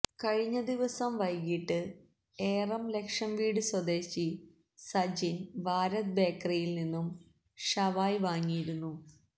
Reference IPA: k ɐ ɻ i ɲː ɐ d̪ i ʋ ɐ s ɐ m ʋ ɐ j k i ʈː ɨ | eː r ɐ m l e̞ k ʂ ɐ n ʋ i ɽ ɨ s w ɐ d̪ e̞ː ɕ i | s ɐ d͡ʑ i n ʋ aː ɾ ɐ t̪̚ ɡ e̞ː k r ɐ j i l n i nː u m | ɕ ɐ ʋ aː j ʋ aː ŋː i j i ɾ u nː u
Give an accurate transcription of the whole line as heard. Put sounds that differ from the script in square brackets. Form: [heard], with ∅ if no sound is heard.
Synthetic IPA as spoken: k ɐ ɻ i ɲː ɐ d̪ i ʋ ɐ s ɐ m ʋ ɐ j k i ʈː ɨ | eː r ɐ m l e̞ k ʂ ɐ [m] ʋ [iː] ɽ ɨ s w ɐ d̪ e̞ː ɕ i | s ɐ d͡ʑ i n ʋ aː ɾ ɐ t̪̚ [b] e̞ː k r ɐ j i l n i nː u m | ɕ ɐ ʋ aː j ʋ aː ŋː i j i ɾ u nː u